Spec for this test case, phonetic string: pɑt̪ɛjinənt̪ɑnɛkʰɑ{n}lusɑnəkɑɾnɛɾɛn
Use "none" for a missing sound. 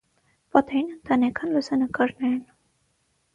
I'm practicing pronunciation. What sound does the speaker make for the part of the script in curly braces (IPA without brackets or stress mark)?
n